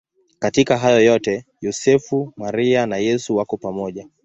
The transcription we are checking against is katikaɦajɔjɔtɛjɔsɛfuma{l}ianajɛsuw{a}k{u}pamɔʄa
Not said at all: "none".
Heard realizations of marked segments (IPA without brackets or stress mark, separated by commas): ɾ, a, ɔ